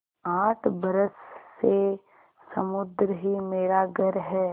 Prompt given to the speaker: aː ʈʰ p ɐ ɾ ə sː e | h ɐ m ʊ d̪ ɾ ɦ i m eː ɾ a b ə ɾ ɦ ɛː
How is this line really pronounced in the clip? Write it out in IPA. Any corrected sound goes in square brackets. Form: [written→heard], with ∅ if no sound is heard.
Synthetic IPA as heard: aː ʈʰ [p→b] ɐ ɾ ə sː e | [h→s] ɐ m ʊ d̪ ɾ ɦ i m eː ɾ a [b→ɡ] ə ɾ ɦ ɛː